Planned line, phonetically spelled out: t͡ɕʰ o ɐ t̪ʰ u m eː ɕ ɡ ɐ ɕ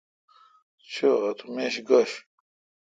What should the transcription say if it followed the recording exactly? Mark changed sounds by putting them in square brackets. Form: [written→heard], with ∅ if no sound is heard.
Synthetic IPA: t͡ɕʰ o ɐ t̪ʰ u m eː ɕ ɡ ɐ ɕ